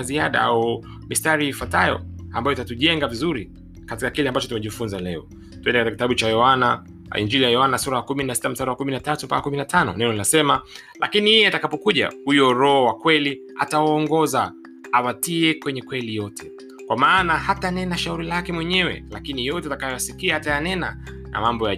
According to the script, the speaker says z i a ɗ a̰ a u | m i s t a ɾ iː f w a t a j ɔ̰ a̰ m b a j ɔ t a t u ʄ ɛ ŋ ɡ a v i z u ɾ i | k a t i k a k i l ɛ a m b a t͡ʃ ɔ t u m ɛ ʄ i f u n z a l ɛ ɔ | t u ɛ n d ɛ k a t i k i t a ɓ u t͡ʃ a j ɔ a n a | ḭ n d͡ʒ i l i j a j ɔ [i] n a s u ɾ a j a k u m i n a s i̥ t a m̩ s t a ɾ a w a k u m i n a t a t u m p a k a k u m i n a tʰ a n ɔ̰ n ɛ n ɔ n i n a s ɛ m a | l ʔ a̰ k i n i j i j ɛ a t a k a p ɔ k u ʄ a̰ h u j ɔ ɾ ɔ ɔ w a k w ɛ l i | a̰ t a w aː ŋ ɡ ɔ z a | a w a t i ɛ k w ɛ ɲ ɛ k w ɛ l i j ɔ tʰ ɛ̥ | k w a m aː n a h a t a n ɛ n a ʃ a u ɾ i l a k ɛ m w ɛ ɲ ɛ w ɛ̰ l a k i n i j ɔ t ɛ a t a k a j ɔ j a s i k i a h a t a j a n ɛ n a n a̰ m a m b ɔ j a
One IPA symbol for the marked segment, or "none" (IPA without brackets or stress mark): a